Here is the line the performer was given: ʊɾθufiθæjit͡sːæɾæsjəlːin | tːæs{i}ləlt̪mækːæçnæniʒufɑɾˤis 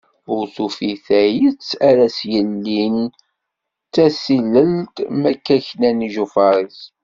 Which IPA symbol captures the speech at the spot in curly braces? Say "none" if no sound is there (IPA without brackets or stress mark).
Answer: i